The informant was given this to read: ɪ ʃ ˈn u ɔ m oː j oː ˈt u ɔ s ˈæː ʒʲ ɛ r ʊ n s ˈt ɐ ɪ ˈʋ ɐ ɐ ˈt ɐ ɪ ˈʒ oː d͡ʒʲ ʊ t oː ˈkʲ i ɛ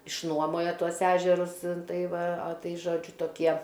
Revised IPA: ɪ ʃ ˈn u ɔ m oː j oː ˈt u ɔ s ˈæː ʒʲ ɛ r ʊ s ˈt ɐ ɪ ˈʋ ɐ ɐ ˈt ɐ ɪ ˈʒ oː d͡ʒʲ ʊ t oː ˈkʲ i ɛ